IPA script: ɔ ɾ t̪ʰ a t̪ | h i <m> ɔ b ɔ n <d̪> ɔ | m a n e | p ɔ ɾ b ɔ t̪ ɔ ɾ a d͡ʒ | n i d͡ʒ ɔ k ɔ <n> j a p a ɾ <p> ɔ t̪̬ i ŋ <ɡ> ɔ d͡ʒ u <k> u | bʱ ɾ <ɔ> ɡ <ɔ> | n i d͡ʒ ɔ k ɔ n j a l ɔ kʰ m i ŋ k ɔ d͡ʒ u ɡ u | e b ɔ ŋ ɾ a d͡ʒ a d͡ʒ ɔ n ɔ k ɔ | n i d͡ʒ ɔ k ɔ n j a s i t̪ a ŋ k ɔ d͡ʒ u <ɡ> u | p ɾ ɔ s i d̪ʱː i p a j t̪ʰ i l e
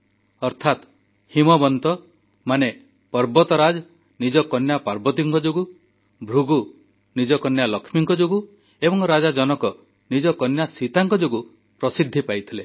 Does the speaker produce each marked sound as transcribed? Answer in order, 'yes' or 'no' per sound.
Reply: yes, no, yes, no, no, no, no, no, yes

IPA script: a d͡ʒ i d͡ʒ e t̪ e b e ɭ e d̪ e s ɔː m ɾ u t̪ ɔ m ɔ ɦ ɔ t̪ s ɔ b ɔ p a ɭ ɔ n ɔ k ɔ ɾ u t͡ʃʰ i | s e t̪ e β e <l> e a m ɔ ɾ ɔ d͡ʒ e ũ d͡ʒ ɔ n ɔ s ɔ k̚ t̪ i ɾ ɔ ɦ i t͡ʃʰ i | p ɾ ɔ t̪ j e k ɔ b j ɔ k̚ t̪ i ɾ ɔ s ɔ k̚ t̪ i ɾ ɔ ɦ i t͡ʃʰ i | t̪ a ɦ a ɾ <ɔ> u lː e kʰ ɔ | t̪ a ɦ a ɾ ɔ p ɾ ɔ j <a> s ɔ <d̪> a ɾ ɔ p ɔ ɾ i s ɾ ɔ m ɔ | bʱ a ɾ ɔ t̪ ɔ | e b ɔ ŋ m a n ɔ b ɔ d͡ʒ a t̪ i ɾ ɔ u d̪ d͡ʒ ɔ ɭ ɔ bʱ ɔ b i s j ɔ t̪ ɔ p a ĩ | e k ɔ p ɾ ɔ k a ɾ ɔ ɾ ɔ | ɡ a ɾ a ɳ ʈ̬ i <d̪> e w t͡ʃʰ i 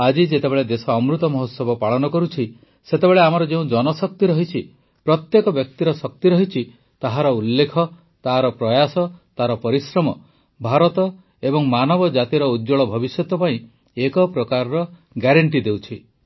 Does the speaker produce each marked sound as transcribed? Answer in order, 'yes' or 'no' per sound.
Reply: no, yes, yes, no, yes

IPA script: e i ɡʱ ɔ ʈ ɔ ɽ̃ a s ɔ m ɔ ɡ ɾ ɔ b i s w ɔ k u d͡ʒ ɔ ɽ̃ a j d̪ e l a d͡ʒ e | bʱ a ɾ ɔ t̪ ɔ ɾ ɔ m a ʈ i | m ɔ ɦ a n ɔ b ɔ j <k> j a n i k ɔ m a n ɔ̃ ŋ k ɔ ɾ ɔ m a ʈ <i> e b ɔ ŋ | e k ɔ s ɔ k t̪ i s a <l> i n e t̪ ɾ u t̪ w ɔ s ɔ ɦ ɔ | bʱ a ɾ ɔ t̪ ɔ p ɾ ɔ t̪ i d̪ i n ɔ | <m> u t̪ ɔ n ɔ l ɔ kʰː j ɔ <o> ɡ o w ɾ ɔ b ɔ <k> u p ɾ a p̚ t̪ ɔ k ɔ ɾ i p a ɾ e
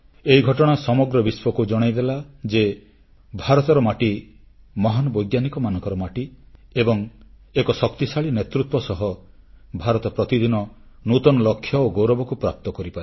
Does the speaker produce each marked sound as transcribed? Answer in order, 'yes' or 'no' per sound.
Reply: no, yes, no, no, yes, yes

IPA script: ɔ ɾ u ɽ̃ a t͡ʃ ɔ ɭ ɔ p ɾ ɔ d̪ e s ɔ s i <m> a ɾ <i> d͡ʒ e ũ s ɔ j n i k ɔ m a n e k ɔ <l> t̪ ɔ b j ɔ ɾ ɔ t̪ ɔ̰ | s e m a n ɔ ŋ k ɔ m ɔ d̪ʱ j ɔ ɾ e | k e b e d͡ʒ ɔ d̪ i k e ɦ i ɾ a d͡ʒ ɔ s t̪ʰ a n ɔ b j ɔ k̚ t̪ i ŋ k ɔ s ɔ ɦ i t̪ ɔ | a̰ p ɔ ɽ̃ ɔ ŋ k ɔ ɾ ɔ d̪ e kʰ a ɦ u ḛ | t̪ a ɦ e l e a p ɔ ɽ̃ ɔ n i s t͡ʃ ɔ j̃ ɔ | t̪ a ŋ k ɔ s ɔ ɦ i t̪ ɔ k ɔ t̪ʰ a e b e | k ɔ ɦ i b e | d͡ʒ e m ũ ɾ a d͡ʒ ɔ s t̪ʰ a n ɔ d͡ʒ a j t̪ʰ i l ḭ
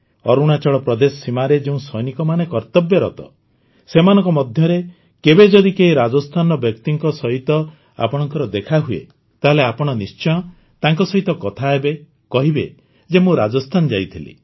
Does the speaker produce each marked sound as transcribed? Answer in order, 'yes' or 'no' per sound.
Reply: yes, no, no

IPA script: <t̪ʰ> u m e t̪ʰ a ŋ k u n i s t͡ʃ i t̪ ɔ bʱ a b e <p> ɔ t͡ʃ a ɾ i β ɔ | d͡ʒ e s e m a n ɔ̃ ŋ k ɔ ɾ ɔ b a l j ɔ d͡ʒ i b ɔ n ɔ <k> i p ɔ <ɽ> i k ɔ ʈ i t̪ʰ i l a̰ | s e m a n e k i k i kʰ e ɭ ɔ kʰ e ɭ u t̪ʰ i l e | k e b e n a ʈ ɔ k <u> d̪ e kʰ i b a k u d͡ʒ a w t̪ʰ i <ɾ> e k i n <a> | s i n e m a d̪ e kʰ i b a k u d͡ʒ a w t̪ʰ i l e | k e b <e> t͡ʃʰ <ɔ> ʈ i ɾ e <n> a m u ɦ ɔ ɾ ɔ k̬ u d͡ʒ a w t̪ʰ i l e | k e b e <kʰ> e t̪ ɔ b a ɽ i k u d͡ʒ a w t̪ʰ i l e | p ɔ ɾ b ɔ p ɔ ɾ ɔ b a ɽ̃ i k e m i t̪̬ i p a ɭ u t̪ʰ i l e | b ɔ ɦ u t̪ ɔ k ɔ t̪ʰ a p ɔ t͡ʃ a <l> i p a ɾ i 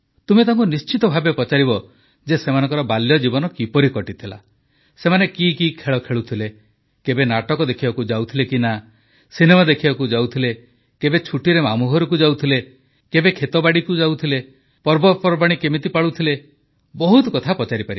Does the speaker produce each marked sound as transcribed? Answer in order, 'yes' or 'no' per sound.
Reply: no, yes, yes, no, no, no, yes, yes, no, no, yes, no

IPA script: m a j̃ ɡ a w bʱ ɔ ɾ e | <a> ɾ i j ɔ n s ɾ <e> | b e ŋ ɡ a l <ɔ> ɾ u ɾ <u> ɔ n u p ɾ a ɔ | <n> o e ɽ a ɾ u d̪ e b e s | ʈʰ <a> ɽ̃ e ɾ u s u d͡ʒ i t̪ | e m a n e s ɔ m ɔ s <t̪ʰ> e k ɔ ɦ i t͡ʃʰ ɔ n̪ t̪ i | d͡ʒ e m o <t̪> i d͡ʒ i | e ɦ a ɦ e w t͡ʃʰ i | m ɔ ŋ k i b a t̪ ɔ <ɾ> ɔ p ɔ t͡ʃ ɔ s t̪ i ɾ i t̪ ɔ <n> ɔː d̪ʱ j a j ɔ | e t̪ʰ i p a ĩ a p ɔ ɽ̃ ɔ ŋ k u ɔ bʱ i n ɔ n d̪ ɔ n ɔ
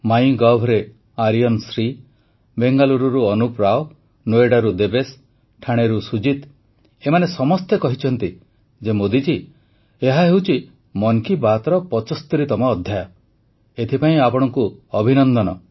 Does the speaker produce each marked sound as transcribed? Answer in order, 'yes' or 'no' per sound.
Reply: yes, no, no, yes, yes, yes, no, no, yes, no

